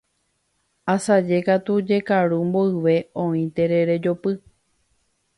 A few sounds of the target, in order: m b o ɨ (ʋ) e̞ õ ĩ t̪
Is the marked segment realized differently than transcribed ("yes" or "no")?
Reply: no